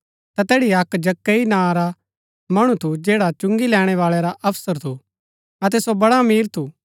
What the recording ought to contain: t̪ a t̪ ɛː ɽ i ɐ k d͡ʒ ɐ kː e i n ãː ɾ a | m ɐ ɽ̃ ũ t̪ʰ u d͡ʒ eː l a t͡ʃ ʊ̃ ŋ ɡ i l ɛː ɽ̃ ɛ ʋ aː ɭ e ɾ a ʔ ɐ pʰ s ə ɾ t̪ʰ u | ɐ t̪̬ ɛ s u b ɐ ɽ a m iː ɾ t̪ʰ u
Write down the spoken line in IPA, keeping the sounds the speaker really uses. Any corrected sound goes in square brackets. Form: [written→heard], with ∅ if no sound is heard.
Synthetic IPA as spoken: t̪ a t̪ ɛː ɽ i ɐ k d͡ʒ ɐ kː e i n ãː ɾ a | m ɐ ɽ̃ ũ t̪ʰ u d͡ʒ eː [l→ɽ] a t͡ʃ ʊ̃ ŋ ɡ i l ɛː ɽ̃ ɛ ʋ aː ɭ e ɾ a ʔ ɐ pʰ s ə ɾ t̪ʰ u | ɐ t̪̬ ɛ s [u→o] b ɐ ɽ a m iː ɾ t̪ʰ u

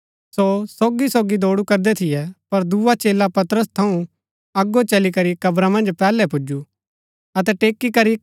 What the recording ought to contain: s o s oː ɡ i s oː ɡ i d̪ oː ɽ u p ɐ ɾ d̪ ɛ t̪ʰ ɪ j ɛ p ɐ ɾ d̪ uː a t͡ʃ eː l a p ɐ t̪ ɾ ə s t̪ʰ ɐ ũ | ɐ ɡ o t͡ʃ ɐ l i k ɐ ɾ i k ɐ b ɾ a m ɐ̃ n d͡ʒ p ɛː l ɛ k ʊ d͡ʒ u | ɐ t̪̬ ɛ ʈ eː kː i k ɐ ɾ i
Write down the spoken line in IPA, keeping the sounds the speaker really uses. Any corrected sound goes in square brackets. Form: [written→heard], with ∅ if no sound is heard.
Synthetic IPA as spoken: s o s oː ɡ i s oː ɡ i d̪ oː ɽ u [p→k] ɐ ɾ d̪ ɛ t̪ʰ ɪ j ɛ p ɐ ɾ d̪ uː a t͡ʃ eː l a p ɐ t̪ ɾ ə s t̪ʰ ɐ ũ | ɐ ɡ o t͡ʃ ɐ l i k ɐ ɾ i k ɐ b ɾ a m ɐ̃ n d͡ʒ p ɛː l ɛ [k→p] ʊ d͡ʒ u | ɐ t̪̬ ɛ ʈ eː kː i k ɐ ɾ i

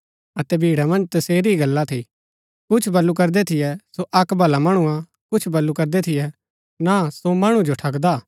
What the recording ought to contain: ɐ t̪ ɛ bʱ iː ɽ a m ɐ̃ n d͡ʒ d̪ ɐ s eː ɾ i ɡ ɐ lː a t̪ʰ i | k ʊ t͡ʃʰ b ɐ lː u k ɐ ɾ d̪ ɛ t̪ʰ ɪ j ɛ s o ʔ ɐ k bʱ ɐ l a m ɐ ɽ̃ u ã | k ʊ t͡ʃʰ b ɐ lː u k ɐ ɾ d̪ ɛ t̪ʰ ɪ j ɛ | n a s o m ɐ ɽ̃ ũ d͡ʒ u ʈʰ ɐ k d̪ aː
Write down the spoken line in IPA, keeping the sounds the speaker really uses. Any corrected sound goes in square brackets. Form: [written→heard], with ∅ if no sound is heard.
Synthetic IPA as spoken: ɐ t̪ ɛ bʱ iː ɽ a m ɐ̃ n d͡ʒ [d̪→t̪] ɐ s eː ɾ i ɡ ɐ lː a t̪ʰ i | k ʊ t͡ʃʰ b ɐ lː u k ɐ ɾ d̪ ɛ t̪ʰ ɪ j ɛ s o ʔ ɐ k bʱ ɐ l a m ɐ ɽ̃ u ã | k ʊ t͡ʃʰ b ɐ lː u k ɐ ɾ d̪ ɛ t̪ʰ ɪ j ɛ | n a s o m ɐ ɽ̃ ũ d͡ʒ [u→o] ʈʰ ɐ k d̪ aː

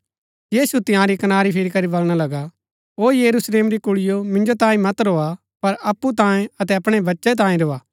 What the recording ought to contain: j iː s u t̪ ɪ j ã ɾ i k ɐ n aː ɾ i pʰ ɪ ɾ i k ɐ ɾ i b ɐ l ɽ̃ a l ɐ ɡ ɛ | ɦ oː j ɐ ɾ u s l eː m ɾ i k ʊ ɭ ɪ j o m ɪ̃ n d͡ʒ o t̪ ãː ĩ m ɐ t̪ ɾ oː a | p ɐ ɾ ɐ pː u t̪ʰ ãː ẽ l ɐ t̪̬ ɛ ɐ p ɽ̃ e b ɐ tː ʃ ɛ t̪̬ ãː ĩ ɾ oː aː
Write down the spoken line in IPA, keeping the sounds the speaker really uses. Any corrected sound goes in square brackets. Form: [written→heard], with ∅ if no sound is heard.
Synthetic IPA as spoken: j iː s u t̪ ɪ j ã ɾ i k ɐ n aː ɾ i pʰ ɪ ɾ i k ɐ ɾ i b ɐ l ɽ̃ a l ɐ ɡ [ɛ→a] | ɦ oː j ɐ ɾ u s l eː m ɾ i k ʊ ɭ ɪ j o m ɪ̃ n d͡ʒ o t̪ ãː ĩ m ɐ t̪ ɾ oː a | p ɐ ɾ ɐ pː u [t̪ʰ→t̪] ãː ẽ [l→∅] ɐ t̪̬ ɛ ɐ p ɽ̃ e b ɐ tː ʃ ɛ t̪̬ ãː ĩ ɾ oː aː

